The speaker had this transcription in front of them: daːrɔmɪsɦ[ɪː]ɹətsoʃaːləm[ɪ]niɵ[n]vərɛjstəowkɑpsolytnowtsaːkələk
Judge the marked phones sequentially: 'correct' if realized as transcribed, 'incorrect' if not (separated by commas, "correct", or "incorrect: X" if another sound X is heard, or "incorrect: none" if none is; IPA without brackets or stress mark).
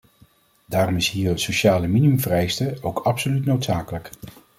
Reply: incorrect: iː, incorrect: i, incorrect: m